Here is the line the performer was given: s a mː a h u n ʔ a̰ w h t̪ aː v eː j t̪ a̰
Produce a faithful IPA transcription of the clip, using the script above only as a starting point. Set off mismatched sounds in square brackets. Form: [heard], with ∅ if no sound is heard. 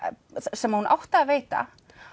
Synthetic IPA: s [ɛ] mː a h u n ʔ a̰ w h t̪ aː v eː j t̪ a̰